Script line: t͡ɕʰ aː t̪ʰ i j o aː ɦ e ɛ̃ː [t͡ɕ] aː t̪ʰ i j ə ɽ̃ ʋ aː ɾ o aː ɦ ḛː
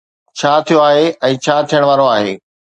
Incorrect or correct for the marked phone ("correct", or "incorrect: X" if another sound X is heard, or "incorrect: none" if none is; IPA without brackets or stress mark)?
incorrect: t͡ɕʰ